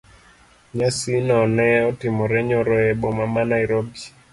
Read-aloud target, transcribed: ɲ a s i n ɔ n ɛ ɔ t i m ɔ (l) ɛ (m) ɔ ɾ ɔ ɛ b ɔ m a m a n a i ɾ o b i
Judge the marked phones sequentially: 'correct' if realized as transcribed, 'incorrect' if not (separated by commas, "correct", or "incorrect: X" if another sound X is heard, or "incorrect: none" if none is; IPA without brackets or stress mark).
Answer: incorrect: ɾ, incorrect: ɲ